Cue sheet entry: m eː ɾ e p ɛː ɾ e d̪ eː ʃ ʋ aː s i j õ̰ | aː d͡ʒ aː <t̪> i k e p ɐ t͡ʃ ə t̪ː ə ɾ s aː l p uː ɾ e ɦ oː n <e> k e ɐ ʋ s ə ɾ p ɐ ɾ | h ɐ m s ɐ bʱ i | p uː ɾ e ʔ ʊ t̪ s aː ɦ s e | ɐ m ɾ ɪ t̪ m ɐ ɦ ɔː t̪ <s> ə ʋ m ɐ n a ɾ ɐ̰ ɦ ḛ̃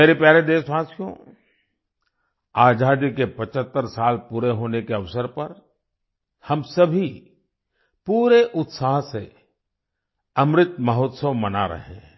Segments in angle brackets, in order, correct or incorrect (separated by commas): incorrect, correct, correct